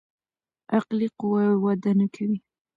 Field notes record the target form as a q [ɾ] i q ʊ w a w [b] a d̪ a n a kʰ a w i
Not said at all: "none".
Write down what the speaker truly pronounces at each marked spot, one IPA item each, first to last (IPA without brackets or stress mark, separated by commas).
l, w